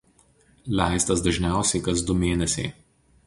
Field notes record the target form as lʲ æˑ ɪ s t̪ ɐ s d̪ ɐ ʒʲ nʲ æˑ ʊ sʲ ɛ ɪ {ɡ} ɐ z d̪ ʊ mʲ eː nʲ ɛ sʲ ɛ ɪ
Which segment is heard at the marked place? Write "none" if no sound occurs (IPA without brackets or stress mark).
k